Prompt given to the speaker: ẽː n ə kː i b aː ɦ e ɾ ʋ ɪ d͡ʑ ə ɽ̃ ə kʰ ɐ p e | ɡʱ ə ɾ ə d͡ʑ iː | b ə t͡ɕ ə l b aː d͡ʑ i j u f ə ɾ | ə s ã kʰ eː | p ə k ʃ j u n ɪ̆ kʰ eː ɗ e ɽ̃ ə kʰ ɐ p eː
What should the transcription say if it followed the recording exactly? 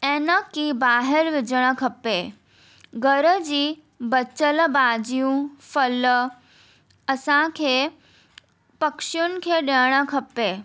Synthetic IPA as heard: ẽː n ə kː i b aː ɦ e ɾ ʋ ɪ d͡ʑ ə ɽ̃ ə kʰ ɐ p e | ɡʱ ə ɾ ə d͡ʑ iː | b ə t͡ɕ ə l b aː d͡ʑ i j ũ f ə l | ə s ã kʰ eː | p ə k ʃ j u n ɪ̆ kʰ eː ɗ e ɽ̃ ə kʰ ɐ p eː